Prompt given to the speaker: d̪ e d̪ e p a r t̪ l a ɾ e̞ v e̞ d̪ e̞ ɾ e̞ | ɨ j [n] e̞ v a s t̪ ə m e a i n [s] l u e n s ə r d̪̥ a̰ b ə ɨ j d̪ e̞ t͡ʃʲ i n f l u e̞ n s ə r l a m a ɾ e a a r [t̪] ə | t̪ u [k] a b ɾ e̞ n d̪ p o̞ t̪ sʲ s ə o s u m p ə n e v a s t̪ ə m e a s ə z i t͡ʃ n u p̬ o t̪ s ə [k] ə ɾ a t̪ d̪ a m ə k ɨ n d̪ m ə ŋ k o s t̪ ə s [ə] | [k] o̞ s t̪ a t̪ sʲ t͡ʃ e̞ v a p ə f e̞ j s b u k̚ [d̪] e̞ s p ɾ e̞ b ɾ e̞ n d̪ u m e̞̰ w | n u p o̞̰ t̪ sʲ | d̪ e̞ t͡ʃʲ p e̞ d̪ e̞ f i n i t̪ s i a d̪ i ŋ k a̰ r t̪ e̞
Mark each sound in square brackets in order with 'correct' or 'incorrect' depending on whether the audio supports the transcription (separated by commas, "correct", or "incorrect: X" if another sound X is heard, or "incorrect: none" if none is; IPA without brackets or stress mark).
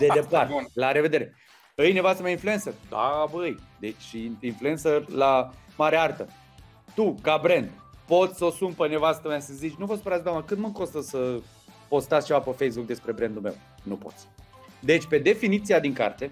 correct, incorrect: f, correct, correct, incorrect: p, correct, incorrect: p, correct